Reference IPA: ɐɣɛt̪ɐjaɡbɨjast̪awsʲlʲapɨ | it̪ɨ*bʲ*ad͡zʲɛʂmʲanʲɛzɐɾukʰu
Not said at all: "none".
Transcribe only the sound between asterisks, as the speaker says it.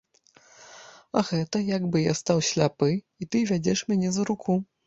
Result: vʲ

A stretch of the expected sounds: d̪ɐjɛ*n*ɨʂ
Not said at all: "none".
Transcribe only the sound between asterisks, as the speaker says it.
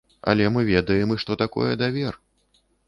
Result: m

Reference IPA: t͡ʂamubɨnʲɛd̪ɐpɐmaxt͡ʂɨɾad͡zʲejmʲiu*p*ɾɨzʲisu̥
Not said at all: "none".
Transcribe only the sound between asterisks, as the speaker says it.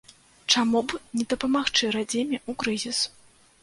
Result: k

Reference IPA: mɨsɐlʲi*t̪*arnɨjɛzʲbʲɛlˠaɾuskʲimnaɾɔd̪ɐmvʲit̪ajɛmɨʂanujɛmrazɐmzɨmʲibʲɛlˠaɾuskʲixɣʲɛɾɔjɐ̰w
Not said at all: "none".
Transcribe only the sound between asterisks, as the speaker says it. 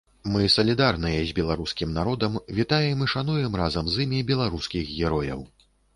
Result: d̪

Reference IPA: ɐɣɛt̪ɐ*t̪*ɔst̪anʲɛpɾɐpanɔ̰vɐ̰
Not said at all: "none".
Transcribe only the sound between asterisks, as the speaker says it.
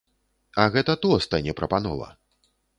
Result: t̪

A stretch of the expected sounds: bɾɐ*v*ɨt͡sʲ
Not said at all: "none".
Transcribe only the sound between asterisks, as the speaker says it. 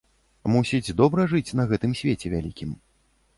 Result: ʐ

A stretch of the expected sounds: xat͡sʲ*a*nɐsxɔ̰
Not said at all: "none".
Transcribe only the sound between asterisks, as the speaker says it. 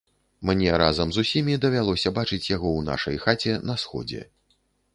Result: ɛ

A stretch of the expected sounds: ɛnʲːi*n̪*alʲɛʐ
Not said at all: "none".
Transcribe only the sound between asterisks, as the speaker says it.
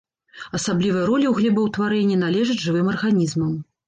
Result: n̪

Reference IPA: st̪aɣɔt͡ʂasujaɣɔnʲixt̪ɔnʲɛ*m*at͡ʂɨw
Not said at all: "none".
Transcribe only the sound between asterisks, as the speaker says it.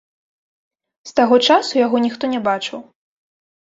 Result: b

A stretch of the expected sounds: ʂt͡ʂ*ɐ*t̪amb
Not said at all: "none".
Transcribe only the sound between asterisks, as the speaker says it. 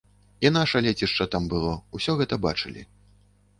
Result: ɐ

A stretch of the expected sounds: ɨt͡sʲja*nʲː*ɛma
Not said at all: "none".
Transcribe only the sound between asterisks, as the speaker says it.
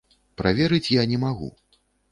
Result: nʲ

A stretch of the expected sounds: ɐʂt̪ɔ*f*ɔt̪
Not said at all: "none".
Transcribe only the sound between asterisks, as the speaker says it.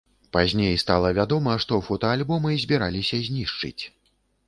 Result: f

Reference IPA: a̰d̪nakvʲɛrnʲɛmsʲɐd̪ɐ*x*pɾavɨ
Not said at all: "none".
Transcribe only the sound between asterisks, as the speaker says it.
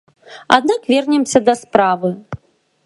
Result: s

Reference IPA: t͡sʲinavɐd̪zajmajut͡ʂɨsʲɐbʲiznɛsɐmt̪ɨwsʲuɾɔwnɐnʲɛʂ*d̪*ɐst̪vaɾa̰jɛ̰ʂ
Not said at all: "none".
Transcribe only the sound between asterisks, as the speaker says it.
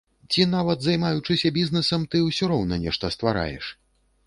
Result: t̪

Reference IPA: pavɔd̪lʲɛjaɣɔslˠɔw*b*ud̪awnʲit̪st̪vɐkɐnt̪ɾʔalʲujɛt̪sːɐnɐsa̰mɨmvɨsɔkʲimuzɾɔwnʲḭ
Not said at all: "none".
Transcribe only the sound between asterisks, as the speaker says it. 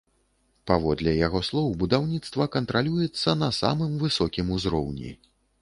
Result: b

